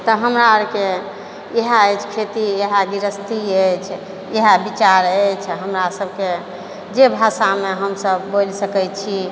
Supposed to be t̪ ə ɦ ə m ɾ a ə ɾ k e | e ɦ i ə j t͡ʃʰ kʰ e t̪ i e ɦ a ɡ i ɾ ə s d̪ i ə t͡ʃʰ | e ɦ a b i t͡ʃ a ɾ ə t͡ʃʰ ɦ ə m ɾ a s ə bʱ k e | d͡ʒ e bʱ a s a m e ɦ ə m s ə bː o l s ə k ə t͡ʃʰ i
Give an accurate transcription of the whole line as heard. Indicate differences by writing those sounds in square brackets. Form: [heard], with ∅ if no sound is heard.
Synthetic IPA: t̪ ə ɦ ə m ɾ a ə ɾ k e | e ɦ [a] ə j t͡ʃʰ kʰ e t̪ i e ɦ a ɡ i ɾ ə s [t̪] i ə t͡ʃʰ | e ɦ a b i t͡ʃ a ɾ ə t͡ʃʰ ɦ ə m ɾ a s ə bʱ k e | d͡ʒ e bʱ a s a m e ɦ ə m s ə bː o l s ə k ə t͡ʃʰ i